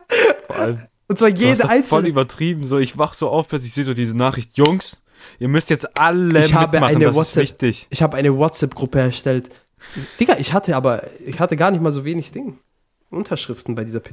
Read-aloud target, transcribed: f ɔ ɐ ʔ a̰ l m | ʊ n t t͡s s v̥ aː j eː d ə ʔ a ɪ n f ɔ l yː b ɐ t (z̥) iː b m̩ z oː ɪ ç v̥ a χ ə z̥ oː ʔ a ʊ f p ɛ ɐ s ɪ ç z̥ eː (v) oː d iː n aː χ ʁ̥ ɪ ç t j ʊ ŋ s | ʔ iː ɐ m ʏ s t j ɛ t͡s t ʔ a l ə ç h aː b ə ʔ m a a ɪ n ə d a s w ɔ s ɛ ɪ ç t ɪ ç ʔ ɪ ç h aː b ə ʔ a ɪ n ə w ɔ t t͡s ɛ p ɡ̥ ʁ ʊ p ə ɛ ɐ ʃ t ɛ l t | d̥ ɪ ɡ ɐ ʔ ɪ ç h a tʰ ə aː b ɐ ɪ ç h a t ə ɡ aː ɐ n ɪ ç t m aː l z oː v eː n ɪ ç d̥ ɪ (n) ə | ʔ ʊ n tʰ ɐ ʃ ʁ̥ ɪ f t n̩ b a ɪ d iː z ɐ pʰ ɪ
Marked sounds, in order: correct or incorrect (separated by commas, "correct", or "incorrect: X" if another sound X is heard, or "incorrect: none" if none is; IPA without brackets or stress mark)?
incorrect: ʁ̥, incorrect: z, incorrect: ŋ